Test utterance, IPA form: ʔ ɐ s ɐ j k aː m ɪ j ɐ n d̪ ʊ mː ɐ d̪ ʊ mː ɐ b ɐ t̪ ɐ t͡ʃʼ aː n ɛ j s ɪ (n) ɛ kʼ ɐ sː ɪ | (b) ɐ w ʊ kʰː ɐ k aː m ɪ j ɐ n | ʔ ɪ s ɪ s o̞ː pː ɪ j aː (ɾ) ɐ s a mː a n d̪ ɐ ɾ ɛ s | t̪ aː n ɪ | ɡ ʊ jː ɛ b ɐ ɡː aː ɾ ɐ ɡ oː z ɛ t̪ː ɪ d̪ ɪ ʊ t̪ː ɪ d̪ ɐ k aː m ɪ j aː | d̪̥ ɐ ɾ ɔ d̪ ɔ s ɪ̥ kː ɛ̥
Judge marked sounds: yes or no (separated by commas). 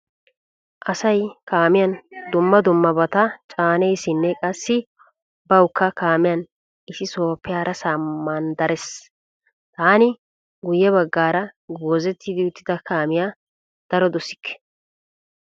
no, yes, yes